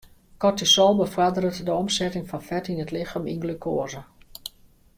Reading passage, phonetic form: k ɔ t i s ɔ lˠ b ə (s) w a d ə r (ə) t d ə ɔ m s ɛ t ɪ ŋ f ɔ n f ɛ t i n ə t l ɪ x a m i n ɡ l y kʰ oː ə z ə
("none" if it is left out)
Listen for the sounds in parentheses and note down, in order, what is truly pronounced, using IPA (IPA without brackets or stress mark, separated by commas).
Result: f, ə